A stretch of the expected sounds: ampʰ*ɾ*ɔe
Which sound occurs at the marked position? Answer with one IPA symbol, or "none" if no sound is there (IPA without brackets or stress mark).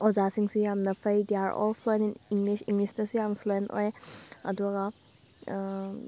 l